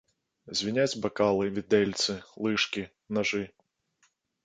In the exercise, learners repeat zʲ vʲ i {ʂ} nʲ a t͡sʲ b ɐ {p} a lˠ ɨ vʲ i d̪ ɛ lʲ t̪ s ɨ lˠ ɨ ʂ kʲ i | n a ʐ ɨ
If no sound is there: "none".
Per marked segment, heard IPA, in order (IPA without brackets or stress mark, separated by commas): none, k